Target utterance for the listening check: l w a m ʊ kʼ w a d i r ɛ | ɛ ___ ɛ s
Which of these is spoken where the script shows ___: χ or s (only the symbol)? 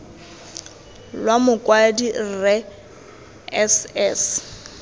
s